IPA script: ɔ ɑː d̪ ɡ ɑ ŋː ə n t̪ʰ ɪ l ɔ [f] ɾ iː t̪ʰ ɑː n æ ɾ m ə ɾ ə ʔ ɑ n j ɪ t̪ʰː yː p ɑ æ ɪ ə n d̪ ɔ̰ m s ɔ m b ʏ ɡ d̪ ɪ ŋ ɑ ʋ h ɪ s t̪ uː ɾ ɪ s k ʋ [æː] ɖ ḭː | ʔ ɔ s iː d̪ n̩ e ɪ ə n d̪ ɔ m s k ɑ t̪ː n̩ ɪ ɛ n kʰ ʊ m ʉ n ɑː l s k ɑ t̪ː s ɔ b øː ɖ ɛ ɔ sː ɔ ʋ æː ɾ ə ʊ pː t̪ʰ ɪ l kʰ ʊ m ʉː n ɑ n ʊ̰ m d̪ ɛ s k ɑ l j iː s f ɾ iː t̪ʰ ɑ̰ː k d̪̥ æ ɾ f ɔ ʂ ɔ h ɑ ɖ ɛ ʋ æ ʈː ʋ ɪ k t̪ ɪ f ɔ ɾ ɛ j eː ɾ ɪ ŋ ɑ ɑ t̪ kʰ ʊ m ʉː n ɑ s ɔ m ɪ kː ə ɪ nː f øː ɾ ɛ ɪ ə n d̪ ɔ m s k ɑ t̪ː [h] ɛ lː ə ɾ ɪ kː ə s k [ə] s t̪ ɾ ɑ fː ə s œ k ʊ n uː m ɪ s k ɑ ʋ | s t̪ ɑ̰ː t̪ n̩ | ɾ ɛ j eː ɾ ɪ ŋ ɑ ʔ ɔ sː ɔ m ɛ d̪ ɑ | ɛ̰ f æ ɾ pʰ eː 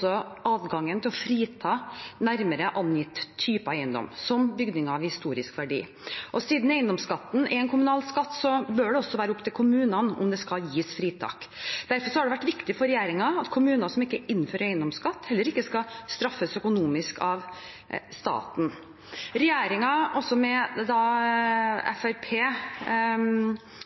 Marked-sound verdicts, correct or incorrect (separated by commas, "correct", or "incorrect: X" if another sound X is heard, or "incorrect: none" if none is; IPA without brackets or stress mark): correct, incorrect: æ, correct, incorrect: ɑ